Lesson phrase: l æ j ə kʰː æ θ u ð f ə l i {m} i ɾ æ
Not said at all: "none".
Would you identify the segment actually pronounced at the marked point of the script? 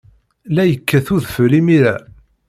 m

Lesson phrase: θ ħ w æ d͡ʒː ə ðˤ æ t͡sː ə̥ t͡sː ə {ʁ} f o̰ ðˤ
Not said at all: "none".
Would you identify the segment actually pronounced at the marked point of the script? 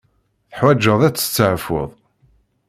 ʕ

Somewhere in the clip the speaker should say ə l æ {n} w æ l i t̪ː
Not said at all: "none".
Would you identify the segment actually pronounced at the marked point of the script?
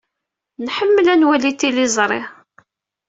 n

